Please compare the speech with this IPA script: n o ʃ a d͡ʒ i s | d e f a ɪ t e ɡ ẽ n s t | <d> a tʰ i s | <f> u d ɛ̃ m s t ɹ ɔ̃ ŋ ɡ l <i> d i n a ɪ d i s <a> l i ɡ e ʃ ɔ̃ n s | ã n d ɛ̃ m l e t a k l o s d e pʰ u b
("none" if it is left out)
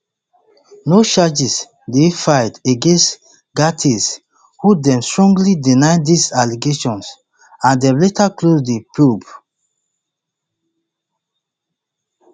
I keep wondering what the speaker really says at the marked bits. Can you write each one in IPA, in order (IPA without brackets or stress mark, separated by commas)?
ɡ, h, i, a